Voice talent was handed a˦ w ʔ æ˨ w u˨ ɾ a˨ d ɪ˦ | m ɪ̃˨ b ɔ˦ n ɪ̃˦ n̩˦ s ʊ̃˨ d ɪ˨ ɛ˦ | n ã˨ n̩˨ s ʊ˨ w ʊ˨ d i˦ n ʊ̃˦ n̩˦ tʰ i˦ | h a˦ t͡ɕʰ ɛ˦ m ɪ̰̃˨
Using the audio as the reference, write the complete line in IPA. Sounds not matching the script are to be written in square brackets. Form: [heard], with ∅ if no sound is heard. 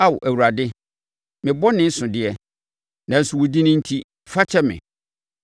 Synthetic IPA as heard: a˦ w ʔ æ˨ w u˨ ɾ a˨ d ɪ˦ | m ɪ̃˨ b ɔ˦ n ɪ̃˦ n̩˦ s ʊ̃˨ d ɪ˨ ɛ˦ | n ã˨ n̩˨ s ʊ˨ w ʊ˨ d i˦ n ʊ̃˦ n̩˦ tʰ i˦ | [f] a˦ t͡ɕʰ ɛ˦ m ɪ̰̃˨

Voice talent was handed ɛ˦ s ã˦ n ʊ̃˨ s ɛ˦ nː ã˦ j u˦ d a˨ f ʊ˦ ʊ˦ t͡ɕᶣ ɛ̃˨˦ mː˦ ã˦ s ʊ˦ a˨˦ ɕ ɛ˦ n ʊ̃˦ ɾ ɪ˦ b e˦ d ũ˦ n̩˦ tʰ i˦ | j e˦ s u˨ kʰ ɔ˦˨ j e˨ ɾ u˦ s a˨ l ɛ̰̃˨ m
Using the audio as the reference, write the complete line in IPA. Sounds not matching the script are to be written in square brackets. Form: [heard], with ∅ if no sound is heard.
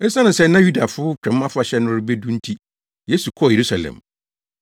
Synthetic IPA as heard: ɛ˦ s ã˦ n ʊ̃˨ s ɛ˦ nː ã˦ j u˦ d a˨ f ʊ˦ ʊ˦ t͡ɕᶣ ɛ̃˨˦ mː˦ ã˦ [f] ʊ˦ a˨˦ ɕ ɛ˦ n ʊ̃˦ ɾ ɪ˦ b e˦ d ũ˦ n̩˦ tʰ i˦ | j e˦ s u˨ kʰ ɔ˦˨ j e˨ ɾ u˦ s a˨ l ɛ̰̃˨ m

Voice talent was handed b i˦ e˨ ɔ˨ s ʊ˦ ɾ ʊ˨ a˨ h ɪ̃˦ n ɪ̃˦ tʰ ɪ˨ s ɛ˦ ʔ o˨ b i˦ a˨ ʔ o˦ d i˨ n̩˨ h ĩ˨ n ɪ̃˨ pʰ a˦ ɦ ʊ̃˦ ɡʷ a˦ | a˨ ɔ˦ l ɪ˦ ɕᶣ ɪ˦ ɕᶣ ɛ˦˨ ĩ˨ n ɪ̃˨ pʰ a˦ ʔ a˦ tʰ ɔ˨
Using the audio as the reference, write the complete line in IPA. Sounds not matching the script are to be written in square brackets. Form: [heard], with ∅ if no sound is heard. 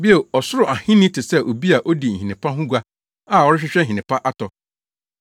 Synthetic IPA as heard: b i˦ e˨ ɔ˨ s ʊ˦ ɾ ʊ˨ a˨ h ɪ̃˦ n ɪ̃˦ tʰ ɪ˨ s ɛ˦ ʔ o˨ b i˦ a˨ ʔ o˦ d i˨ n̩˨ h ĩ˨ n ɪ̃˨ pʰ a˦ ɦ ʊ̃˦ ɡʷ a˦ | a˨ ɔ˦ [ɾ] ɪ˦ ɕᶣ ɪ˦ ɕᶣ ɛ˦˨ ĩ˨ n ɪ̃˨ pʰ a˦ ʔ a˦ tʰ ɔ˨

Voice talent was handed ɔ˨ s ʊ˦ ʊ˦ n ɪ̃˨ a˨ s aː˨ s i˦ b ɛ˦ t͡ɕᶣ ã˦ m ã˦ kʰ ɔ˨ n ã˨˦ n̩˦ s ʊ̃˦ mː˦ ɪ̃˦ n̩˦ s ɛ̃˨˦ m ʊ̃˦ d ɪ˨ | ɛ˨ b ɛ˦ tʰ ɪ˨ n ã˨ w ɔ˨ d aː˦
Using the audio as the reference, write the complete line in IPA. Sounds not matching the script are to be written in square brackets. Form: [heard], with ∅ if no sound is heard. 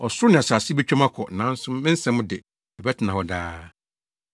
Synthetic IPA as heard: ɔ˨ s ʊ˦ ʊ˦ n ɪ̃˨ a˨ s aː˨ s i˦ b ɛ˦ t͡ɕᶣ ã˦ m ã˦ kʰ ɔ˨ n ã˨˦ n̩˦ s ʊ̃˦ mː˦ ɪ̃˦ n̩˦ s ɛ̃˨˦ m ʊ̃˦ d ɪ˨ | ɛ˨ b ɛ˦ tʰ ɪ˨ n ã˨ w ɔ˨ d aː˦

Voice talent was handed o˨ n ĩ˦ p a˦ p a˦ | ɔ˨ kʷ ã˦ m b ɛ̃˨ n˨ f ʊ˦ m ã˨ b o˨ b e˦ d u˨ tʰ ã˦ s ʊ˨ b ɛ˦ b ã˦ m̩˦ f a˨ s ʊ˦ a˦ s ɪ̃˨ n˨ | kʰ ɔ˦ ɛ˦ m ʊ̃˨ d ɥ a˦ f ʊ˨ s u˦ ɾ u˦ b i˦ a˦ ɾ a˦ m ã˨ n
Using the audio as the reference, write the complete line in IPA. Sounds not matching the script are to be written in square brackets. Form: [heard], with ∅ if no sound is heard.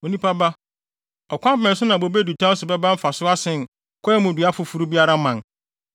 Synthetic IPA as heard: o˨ n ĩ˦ p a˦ [b] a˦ | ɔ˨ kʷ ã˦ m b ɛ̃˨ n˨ [s] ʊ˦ [n] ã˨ b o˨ b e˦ d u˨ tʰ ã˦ s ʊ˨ b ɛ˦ b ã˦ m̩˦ f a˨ s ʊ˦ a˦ s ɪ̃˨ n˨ | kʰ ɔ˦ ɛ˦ m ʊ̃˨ d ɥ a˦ f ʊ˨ [f] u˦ ɾ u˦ b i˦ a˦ ɾ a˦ m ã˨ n

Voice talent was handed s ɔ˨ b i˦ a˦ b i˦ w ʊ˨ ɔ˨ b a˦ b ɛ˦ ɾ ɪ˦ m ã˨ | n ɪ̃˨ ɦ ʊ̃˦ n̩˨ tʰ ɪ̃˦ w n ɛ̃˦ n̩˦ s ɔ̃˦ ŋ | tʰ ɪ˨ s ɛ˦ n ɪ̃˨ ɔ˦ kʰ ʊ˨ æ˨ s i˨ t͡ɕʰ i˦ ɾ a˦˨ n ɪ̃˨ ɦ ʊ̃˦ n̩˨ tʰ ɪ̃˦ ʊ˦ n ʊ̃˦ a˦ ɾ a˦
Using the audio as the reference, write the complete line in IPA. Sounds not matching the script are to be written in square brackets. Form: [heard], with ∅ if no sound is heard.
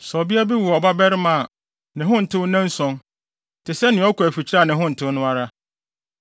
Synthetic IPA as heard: s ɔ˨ b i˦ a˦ b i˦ w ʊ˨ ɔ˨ b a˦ b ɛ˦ ɾ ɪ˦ m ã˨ | n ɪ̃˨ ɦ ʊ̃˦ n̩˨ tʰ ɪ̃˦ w n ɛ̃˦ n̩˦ s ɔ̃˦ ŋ | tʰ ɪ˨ s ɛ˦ n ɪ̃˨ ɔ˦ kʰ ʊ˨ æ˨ [f] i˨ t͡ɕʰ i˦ ɾ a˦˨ n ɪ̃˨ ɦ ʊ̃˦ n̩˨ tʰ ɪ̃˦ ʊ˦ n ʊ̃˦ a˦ ɾ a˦

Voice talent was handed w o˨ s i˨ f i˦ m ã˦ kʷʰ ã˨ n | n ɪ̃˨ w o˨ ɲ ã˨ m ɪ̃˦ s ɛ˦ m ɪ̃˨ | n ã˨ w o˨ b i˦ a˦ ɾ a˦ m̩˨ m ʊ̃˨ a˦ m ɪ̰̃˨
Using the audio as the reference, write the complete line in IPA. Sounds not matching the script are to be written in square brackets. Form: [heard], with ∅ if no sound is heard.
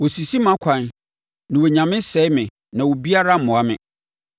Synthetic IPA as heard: w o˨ s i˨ [s] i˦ m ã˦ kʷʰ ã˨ n | n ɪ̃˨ w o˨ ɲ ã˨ m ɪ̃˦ s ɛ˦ m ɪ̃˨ | n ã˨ w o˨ b i˦ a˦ ɾ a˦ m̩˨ m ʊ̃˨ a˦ m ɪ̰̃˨

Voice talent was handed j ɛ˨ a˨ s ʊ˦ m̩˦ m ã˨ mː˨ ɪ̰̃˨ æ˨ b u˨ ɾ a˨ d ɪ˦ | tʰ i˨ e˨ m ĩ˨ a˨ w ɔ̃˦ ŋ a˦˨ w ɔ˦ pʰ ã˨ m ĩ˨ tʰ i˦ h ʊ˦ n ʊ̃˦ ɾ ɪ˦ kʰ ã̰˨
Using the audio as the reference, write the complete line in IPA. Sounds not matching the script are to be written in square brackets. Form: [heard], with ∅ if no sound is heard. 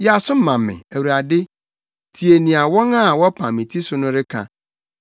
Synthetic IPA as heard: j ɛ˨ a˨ s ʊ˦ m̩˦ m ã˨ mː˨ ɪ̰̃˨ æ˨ [w] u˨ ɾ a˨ d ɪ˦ | tʰ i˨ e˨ [n] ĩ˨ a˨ w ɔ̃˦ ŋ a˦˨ w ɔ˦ pʰ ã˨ m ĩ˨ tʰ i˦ [s] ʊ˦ n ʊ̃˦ ɾ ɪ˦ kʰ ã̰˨

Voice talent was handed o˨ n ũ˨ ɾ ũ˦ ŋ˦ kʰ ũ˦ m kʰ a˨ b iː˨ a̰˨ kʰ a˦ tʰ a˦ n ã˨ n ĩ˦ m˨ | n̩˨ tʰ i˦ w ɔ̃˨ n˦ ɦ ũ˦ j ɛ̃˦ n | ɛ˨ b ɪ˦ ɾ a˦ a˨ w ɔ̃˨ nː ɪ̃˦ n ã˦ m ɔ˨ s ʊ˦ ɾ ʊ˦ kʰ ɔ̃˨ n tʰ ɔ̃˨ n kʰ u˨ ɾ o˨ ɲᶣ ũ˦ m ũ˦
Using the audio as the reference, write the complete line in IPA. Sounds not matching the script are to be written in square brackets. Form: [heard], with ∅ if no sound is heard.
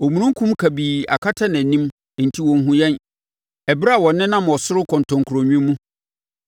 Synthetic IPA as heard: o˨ [m] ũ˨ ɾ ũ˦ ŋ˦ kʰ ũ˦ m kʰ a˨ b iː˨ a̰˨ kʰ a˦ tʰ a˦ n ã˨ n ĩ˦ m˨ | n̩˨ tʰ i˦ w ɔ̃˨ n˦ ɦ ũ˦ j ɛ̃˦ n | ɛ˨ b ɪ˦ ɾ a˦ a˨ w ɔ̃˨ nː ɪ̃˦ n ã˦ m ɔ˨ s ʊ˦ ɾ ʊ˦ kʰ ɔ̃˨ n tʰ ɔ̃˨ [ŋ] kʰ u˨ ɾ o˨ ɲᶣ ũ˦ m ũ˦

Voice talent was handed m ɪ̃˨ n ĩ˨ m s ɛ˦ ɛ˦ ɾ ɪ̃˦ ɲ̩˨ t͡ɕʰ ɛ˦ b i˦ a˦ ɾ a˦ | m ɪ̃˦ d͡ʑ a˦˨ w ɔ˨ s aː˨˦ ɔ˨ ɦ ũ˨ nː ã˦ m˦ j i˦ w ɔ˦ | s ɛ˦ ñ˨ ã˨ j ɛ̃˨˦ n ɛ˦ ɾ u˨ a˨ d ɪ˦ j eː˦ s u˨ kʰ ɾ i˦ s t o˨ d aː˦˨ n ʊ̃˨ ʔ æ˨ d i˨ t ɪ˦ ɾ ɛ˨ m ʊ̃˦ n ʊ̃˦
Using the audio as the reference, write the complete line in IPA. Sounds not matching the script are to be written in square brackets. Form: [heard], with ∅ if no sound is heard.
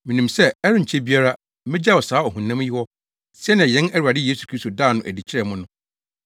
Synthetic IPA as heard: m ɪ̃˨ n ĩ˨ m s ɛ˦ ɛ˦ ɾ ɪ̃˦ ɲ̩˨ t͡ɕʰ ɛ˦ b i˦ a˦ ɾ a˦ | m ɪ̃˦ d͡ʑ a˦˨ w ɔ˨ s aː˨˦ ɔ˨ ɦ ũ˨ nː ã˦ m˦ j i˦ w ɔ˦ | s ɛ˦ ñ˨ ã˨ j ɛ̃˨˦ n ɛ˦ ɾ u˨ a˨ d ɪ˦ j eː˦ s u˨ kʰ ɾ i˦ s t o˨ d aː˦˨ n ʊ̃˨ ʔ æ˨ d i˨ [t͡ɕʰ] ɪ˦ ɾ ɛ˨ m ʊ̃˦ n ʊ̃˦

